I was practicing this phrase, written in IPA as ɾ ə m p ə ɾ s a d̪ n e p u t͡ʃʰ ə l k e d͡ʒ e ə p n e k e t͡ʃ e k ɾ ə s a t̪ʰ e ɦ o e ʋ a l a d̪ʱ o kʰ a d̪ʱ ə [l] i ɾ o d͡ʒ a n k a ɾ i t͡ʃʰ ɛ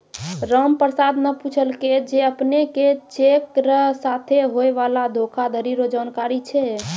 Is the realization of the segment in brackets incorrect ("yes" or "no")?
yes